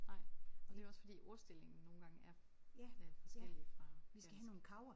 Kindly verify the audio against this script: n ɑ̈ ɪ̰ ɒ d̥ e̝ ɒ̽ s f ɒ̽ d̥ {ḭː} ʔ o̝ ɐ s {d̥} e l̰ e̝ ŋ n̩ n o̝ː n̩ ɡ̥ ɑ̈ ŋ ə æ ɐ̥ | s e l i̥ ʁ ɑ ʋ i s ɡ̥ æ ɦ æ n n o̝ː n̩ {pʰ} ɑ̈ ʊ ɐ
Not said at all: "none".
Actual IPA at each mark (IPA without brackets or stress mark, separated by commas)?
ḭː, d̥, kʰ